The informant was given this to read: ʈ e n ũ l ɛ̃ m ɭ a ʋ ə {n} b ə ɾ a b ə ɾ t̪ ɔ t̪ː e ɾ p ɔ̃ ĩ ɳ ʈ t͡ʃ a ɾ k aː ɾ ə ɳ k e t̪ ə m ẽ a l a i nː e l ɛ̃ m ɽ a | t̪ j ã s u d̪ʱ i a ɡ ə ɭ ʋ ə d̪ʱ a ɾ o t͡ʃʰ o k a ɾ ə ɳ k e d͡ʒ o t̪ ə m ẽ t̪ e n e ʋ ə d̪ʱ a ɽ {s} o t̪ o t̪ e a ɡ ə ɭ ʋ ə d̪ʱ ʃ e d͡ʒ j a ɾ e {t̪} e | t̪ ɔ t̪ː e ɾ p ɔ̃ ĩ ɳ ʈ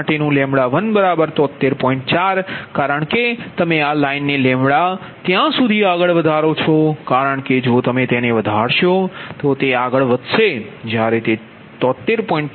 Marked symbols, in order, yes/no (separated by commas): yes, no, yes